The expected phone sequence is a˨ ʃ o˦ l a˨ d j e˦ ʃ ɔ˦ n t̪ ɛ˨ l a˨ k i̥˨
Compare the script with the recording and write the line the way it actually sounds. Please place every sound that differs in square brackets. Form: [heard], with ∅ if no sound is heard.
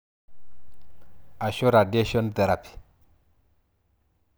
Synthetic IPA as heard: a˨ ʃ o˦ [ɾ] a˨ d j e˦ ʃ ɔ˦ n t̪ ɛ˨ [ɾ] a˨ [p] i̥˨

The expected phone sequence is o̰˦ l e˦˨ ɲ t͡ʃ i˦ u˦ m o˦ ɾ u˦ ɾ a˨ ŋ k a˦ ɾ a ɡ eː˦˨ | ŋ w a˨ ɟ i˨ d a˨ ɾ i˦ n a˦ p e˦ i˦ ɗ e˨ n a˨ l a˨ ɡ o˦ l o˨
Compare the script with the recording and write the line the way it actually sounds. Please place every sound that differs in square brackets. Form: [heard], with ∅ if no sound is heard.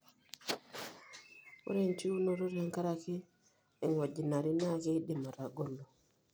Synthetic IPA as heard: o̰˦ [ɾ] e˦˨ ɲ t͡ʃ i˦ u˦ [n] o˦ ɾ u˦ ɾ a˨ ŋ k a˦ ɾ a [k] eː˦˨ | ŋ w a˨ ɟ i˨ [n] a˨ ɾ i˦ n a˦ [k] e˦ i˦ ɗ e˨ [m] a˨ [ɾ] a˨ ɡ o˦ l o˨

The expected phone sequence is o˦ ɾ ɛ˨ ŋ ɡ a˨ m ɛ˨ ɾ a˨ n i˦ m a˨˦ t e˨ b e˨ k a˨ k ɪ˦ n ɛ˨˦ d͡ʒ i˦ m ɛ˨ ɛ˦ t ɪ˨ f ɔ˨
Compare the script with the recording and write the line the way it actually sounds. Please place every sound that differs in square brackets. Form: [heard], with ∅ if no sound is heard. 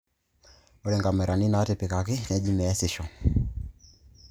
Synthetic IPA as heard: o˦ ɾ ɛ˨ ŋ ɡ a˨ m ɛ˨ ɾ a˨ n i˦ [n] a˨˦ t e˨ [p] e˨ k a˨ k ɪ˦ n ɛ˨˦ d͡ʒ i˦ m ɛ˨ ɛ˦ [s] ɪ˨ [ʃ] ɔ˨

